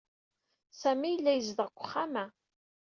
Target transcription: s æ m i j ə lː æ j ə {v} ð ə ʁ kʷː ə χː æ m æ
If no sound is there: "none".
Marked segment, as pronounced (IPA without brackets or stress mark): z